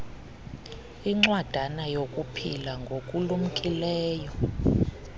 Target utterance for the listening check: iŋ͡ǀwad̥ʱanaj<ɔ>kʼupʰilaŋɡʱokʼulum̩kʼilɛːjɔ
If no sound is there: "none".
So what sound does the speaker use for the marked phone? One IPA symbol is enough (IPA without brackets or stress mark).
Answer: o